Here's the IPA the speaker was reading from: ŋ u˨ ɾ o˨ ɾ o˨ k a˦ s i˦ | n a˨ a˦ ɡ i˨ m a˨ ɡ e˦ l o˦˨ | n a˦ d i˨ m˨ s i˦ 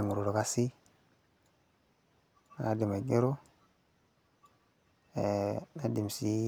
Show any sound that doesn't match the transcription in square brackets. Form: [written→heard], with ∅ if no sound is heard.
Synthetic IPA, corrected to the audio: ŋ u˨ ɾ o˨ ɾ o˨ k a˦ s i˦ | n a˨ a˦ [ɡ→d] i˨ m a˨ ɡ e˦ [l→ɾ] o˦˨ | n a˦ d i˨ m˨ s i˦